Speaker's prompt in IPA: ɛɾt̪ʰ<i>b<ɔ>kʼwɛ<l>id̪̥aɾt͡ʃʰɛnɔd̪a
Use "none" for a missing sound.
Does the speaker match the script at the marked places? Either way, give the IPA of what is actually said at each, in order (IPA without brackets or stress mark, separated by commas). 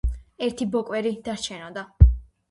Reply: i, ɔ, ɾ